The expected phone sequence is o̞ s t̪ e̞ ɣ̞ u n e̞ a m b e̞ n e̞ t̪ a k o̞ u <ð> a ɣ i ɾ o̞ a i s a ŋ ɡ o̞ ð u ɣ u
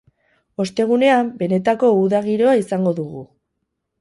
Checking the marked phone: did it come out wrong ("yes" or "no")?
no